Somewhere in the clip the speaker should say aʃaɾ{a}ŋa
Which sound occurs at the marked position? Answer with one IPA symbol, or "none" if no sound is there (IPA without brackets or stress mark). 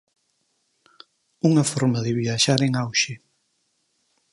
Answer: e